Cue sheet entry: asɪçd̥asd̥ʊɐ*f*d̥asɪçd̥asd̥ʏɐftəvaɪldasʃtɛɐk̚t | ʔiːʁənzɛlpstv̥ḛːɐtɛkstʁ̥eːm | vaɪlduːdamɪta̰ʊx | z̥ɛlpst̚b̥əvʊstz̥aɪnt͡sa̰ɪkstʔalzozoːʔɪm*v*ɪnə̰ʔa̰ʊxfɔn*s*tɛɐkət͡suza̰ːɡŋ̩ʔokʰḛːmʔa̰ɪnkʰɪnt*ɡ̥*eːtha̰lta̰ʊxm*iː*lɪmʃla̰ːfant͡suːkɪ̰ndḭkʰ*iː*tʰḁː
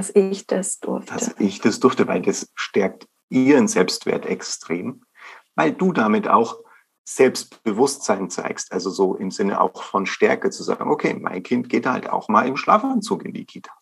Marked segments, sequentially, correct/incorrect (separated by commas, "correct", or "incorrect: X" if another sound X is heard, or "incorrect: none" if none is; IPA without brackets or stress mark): correct, incorrect: z, incorrect: ʃ, correct, incorrect: aː, correct